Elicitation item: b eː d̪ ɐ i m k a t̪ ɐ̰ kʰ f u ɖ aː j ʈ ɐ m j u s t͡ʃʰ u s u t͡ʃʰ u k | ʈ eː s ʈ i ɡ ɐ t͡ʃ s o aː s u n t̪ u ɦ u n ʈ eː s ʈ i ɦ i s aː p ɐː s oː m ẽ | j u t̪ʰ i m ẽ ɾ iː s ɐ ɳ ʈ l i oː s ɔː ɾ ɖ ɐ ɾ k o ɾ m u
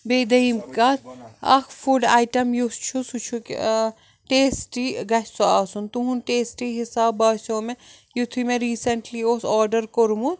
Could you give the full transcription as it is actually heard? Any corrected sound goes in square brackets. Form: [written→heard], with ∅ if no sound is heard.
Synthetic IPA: b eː d̪ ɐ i m k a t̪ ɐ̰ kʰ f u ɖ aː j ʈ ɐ m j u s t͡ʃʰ u s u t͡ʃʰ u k | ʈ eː s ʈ i ɡ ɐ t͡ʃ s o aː s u n t̪ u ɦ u n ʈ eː s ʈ i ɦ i s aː [p→b] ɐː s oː m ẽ | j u t̪ʰ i m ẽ ɾ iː s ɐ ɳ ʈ l i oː s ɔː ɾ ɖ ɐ ɾ k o ɾ m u